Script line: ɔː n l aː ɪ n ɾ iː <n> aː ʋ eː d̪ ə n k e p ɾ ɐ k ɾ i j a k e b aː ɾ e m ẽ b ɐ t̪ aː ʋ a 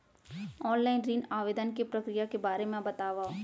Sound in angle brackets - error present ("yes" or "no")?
no